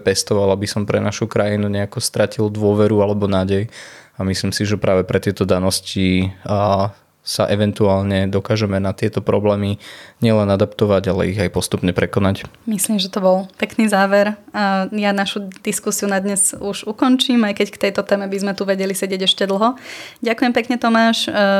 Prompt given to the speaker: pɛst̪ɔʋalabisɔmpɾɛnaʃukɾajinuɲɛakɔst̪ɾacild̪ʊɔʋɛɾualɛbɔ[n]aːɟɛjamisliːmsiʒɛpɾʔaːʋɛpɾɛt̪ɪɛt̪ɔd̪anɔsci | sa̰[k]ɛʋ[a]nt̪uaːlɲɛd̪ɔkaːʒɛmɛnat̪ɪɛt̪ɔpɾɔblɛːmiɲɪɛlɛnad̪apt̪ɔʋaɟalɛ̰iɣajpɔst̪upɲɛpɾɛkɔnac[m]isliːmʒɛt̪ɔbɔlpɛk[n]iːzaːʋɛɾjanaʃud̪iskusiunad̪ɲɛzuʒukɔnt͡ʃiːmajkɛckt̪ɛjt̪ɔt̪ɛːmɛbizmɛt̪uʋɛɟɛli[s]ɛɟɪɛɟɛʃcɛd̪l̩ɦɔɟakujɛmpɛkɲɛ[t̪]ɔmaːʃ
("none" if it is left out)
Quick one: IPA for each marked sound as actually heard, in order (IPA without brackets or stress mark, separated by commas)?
n, ʔ, ɛ, m, n, s, t̪